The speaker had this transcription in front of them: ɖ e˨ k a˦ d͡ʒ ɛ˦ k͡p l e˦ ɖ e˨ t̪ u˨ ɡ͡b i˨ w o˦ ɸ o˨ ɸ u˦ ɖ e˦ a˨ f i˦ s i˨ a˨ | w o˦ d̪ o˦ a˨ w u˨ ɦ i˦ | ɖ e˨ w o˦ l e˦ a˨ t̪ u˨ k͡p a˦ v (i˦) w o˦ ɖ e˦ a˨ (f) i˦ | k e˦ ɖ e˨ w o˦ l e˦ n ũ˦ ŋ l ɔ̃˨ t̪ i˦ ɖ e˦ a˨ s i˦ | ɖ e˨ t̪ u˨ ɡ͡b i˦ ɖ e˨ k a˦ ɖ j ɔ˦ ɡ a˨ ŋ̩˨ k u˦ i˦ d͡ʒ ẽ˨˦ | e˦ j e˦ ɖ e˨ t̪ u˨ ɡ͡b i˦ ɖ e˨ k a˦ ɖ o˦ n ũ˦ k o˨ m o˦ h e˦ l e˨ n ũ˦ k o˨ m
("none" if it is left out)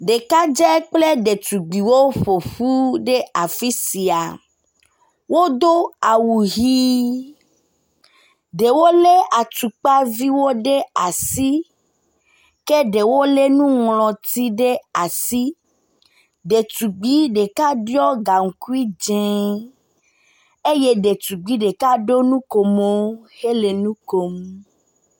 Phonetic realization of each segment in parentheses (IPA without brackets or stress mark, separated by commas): i˦, s